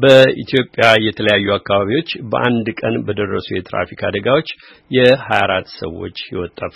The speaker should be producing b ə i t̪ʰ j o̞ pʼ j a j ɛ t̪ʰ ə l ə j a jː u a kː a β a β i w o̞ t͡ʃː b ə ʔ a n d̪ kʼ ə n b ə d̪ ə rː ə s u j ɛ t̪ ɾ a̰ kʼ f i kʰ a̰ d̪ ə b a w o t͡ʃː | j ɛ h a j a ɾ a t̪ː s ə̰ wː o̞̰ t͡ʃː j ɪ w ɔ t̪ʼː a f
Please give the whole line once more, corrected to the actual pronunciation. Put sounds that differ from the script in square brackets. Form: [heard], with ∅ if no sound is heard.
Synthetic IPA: b ə i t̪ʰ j o̞ pʼ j a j ɛ t̪ʰ ə l ə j a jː u a kː a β a β i w o̞ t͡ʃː b ə ʔ a n d̪ kʼ ə n b ə d̪ ə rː ə s u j ɛ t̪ ɾ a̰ [∅] f i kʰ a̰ d̪ ə [ɡ] a w o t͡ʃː | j ɛ h a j a ɾ a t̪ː s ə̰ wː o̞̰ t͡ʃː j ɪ w ɔ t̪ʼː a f